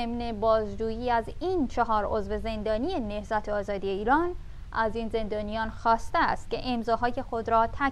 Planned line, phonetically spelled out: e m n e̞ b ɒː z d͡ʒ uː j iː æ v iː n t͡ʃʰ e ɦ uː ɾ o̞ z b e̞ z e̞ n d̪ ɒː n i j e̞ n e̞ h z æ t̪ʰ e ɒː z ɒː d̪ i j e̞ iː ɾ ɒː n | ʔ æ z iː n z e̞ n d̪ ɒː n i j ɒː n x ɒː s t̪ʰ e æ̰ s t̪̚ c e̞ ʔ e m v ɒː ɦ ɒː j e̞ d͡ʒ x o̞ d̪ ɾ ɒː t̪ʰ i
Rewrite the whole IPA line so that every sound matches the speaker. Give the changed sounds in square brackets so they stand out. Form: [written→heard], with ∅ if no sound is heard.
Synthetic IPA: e m n e̞ b ɒː z d͡ʒ uː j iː æ [v→z] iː n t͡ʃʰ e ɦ [uː→ɒː] ɾ o̞ z [b→v] e̞ z e̞ n d̪ ɒː n i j e̞ n e̞ h z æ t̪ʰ e ɒː z ɒː d̪ i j e̞ iː ɾ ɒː n | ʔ æ z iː n z e̞ n d̪ ɒː n i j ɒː n x ɒː s [t̪ʰ→t̪] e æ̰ s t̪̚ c e̞ ʔ e m [v→z] ɒː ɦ ɒː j e̞ [d͡ʒ→∅] x o̞ d̪ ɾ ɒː t̪ʰ [i→æ]